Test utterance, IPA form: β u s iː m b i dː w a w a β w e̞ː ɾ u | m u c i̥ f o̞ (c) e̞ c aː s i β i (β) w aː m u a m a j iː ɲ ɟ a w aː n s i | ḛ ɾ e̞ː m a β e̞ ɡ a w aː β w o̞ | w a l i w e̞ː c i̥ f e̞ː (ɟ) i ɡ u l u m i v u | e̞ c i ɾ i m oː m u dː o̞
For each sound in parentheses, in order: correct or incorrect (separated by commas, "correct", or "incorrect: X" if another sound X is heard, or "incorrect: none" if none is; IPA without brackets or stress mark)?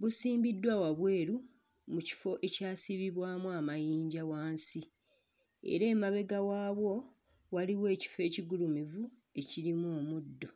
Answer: incorrect: ʔ, correct, incorrect: c